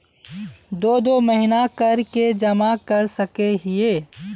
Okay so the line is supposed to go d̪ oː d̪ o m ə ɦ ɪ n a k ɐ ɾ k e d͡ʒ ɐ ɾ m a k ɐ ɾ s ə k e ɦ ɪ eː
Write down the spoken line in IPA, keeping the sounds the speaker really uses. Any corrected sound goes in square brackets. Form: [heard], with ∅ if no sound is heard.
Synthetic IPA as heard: d̪ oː d̪ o m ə ɦ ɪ n a k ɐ ɾ k e d͡ʒ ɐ [∅] m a k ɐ ɾ s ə k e ɦ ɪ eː